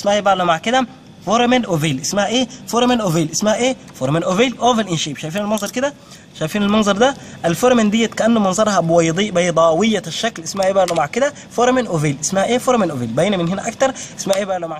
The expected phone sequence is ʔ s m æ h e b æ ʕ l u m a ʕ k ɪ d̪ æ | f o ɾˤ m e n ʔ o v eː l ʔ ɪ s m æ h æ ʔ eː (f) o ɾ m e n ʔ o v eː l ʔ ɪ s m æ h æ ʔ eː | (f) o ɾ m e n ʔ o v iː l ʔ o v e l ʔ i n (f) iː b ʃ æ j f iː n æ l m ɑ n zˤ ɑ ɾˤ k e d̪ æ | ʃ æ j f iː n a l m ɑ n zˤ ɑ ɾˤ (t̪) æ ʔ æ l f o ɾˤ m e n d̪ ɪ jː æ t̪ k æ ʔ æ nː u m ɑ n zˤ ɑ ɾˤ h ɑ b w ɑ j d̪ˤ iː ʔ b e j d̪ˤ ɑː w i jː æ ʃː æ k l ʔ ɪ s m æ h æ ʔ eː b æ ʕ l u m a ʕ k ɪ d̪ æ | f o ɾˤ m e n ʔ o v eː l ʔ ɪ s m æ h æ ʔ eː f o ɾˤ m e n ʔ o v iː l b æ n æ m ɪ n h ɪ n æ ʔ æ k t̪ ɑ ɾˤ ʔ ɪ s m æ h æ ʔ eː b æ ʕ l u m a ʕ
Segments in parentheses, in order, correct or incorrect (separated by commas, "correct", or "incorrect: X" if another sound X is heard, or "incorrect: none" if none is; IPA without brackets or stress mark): correct, correct, incorrect: ʃ, incorrect: d̪